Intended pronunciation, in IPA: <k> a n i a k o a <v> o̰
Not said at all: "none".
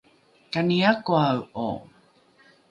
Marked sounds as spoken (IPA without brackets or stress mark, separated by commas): k, w